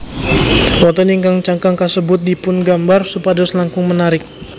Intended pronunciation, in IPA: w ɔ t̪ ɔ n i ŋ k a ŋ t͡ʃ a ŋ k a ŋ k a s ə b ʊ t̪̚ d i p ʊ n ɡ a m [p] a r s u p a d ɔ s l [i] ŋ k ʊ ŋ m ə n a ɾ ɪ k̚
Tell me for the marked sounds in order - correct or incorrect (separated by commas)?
incorrect, incorrect